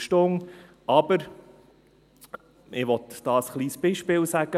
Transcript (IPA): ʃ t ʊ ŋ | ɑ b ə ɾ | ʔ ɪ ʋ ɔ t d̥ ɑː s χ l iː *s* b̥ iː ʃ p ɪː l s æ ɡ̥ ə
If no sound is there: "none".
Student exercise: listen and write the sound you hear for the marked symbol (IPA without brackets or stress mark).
s